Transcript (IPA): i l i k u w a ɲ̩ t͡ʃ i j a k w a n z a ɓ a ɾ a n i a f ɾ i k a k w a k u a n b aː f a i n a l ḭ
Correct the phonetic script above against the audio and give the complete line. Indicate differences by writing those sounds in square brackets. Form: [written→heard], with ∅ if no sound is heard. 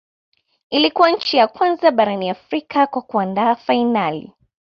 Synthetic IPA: i l i k u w a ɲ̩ t͡ʃ i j a k w a n z a ɓ a ɾ a n i a f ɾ i k a k w a k u a n [b→d] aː f a i n a l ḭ